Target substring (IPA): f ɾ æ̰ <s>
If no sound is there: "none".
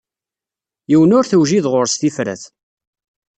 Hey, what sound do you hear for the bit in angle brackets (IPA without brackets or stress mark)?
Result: θ